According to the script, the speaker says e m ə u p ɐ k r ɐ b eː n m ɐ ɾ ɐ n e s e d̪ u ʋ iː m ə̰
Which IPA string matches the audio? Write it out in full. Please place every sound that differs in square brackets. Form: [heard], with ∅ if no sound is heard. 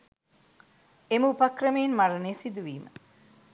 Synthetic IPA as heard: e m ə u p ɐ k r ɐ [m] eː n m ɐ ɾ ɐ n e s [i] d̪ u ʋ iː m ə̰